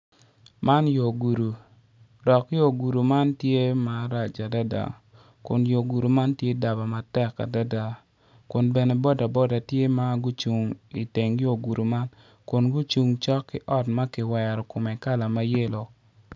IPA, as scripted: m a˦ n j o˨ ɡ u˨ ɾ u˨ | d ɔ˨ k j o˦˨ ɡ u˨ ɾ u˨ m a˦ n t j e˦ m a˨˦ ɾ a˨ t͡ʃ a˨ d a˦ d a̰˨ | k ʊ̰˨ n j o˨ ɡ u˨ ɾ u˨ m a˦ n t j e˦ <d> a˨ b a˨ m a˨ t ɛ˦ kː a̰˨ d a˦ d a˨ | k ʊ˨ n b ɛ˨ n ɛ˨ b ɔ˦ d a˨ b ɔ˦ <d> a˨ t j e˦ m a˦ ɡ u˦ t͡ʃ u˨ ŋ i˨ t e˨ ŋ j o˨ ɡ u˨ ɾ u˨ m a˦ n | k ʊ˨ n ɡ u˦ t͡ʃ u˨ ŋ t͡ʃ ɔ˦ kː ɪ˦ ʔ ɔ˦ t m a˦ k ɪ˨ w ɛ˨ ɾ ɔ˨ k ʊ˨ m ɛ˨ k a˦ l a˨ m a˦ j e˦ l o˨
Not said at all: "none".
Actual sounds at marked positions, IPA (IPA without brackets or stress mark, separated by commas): d, d